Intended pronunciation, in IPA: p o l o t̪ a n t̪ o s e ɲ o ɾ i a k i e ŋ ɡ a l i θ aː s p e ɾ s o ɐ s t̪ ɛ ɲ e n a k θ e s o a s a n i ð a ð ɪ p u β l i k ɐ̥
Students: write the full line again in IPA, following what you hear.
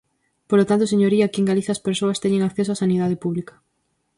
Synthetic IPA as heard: p o l o t̪ a n t̪ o s e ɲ o ɾ i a k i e ŋ ɡ a l i θ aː s p e ɾ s o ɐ s t̪ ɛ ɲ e ŋ a k θ e s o a s a n i ð a ð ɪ p u β l i k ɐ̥

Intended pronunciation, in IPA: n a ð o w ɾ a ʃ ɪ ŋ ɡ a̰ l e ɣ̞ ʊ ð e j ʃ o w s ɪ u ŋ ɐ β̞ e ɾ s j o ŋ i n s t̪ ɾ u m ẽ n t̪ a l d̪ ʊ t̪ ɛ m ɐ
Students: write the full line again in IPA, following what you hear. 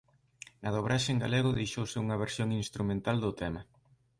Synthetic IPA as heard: n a ð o β ɾ a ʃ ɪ ŋ ɡ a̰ l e ɣ̞ ʊ ð e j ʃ o w s ɪ u ŋ ɐ β̞ e ɾ s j o ŋ i n s t̪ ɾ u m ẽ n t̪ a l d̪ ʊ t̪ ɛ m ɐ

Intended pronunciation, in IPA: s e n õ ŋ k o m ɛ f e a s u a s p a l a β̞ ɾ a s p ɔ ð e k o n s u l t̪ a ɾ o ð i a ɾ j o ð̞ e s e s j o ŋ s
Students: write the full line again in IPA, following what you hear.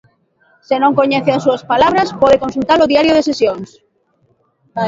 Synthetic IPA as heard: s e n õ ŋ k o ɲ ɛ θ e a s u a s p a l a β̞ ɾ a s p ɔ ð e k o n s u l t̪ a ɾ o ð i a ɾ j o ð̞ e s e s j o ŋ s

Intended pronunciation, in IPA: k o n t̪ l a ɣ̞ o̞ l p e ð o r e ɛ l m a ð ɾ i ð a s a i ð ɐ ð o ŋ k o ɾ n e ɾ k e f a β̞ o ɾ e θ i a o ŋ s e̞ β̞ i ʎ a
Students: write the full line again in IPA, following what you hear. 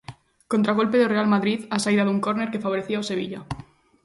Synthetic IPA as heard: k o n t̪ ɾ a ɣ̞ o̞ l p e ð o r e a l m a ð ɾ i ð a s a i ð a ð u ŋ k o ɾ n e ɾ k e f a β̞ o ɾ e θ i a o s e̞ β̞ i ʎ a

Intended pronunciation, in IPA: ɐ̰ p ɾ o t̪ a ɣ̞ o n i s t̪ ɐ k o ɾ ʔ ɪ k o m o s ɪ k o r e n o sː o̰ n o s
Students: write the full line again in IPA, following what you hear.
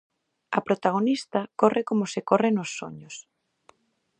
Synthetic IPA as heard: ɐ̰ p ɾ o t̪ a ɣ̞ o n i s t̪ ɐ k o r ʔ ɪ k o m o s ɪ k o r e n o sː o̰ ɲ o s

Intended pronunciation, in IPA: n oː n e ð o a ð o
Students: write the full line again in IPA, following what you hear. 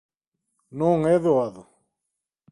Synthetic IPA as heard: n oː ŋ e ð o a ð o

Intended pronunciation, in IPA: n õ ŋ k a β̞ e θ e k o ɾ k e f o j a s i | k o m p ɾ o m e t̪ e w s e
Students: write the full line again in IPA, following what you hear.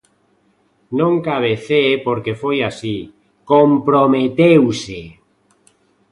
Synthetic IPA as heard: n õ ŋ k a β̞ e θ e p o ɾ k e f o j a s i | k o m p ɾ o m e t̪ e w s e

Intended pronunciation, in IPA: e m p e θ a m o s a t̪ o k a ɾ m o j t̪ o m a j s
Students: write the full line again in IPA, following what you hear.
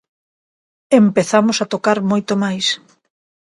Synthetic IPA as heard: e m p e θ a m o s a t̪ o k a ɾ m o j t̪ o m a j s

